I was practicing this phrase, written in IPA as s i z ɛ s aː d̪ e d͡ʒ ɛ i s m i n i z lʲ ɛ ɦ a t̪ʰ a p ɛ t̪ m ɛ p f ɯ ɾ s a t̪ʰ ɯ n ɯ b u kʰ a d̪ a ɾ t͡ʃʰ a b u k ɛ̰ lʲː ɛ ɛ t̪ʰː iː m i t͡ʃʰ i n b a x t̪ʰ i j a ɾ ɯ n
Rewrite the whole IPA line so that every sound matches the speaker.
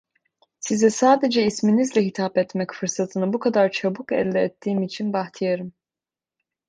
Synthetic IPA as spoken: s i z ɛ s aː d̪ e d͡ʒ ɛ i s m i n i z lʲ ɛ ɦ i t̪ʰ a p ɛ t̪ m ɛ c f ɯ ɾ s a t̪ʰ ɯ n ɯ b u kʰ a d̪ a ɾ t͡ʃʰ a b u k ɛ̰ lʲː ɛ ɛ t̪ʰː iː m i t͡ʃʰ i n b a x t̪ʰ i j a ɾ ɯ m